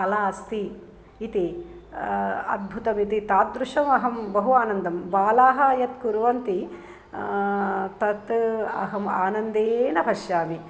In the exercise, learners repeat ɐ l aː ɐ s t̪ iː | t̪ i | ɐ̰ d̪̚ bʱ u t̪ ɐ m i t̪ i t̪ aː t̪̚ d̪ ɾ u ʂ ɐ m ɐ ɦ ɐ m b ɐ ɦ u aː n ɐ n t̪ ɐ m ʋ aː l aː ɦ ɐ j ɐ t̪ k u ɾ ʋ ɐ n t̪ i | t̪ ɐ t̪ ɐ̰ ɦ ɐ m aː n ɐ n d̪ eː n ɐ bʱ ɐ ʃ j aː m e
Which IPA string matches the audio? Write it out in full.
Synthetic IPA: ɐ l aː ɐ s t̪ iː | t̪ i | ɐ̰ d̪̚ bʱ u t̪ ɐ m i t̪ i t̪ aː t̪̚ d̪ ɾ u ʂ ɐ m ɐ ɦ ɐ m b ɐ ɦ u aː n ɐ n d̪ ɐ m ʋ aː l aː ɦ ɐ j ɐ t̪ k u ɾ ʋ ɐ n t̪ i | t̪ ɐ t̪ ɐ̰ ɦ ɐ m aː n ɐ n d̪ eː n ɐ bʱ ɐ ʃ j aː m i